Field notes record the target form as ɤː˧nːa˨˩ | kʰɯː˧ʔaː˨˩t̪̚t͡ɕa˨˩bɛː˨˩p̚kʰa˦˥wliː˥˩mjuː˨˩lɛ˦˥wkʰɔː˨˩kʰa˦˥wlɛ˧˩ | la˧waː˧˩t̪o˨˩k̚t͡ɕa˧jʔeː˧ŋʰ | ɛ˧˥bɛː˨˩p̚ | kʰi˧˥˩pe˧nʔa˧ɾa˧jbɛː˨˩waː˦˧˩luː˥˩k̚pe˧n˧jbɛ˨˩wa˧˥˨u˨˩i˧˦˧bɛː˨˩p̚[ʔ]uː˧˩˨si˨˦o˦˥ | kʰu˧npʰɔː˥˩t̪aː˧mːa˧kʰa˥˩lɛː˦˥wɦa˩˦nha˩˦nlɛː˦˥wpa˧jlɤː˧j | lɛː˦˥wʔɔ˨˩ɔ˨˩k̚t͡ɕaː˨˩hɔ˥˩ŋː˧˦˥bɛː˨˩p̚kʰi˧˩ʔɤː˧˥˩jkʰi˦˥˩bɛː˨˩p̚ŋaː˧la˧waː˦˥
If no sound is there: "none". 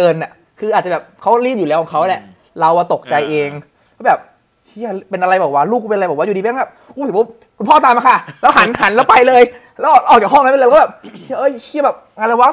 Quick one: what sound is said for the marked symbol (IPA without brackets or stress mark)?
ʔ